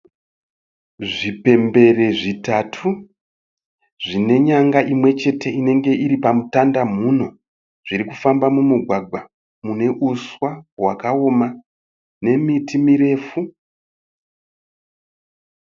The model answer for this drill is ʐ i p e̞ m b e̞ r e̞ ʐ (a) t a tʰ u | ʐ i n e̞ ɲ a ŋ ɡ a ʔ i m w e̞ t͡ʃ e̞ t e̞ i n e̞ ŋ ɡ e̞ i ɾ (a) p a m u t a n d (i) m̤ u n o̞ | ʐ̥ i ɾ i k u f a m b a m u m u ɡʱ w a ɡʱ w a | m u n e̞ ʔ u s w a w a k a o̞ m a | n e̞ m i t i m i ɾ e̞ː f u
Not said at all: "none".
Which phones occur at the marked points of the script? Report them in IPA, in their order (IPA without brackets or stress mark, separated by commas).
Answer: i, i, a